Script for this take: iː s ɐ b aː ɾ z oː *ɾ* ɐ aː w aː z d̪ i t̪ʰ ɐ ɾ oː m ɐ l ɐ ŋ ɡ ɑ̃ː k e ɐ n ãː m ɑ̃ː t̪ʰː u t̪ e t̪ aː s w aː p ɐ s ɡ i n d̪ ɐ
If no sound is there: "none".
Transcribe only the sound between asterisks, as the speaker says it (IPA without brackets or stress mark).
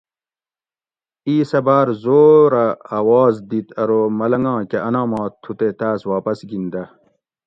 ɾ